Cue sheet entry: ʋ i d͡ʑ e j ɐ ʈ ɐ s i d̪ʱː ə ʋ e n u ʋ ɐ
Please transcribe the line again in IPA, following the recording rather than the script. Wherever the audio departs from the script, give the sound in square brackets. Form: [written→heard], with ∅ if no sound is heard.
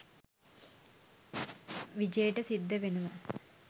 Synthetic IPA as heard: ʋ i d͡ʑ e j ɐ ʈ ɐ s i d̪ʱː [ə→ɐ] ʋ e n u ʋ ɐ